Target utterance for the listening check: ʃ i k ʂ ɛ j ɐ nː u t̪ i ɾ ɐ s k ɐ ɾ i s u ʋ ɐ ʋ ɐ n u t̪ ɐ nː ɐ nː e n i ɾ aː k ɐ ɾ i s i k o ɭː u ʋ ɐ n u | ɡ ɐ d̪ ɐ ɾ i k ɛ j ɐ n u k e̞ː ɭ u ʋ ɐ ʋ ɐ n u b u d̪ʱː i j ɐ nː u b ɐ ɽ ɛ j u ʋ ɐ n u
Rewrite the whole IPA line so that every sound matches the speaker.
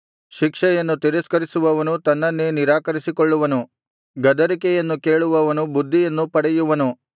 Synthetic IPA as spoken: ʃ i k ʂ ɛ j ɐ nː u t̪ i ɾ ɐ s k ɐ ɾ i s u ʋ ɐ ʋ ɐ n u t̪ ɐ nː ɐ nː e n i ɾ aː k ɐ ɾ i s i k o ɭː u ʋ ɐ n u | ɡ ɐ d̪ ɐ ɾ i k ɛ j ɐ nː u k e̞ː ɭ u ʋ ɐ ʋ ɐ n u b u d̪ʱː i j ɐ nː u p ɐ ɽ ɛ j u ʋ ɐ n u